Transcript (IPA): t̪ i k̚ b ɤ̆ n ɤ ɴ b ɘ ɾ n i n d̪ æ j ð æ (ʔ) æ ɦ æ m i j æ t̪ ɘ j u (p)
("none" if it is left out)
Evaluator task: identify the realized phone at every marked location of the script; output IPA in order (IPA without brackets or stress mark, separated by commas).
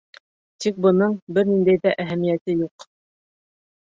ʔ, q